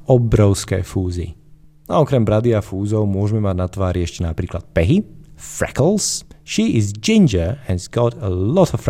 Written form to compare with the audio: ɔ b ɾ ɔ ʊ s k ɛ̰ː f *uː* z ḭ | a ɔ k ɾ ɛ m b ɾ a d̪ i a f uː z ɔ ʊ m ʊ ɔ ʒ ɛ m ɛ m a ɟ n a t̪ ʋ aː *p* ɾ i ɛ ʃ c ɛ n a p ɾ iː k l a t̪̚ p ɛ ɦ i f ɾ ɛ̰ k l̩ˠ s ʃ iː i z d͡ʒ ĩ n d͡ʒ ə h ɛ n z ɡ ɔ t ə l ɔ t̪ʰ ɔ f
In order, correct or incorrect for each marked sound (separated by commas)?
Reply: correct, incorrect